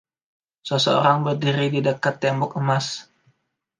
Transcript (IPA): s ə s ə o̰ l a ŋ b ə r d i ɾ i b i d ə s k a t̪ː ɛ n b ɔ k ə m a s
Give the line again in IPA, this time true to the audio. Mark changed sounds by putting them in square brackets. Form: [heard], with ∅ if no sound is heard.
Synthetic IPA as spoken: s ə s ə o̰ [ɾ] a ŋ b ə r d i ɾ i [d] i d ə [∅] k a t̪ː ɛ [m] b ɔ k ə m a s